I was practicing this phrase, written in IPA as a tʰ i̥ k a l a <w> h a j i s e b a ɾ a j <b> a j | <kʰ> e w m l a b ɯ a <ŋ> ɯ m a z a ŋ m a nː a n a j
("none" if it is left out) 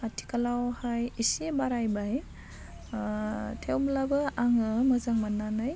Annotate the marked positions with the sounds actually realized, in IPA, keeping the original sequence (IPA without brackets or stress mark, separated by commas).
w, b, tʰ, ŋ